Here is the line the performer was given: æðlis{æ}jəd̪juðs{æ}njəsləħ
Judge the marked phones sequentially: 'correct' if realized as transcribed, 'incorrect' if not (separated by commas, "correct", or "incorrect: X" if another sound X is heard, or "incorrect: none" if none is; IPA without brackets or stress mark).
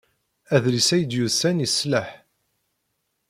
correct, correct